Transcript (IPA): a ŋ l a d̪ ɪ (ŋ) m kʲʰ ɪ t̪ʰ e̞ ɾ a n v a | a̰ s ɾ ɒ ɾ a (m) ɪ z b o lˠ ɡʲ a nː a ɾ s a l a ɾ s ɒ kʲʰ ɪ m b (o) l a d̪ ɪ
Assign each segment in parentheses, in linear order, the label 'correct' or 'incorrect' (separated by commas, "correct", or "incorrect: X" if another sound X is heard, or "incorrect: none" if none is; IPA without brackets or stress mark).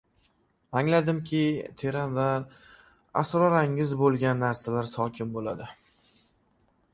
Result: incorrect: none, incorrect: ŋ, correct